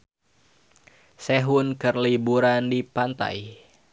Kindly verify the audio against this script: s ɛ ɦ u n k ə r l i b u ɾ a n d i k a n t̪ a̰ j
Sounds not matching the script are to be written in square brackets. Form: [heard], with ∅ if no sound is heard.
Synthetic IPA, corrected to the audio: s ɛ ɦ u n k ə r l i b u ɾ a n d i [p] a n t̪ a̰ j